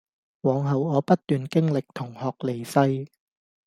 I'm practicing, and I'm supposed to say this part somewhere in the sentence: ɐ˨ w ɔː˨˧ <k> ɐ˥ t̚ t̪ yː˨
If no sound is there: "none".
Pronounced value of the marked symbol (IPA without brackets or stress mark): p